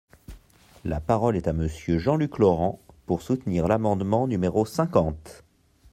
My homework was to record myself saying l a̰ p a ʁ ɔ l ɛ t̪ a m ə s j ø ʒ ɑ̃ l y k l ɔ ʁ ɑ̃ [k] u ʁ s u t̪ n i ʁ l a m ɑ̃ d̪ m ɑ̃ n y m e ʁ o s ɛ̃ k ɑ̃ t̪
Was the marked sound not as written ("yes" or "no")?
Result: yes